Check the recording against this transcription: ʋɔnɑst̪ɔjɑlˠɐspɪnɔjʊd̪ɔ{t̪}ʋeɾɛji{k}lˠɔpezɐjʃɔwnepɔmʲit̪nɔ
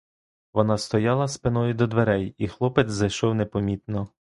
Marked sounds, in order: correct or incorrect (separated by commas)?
incorrect, incorrect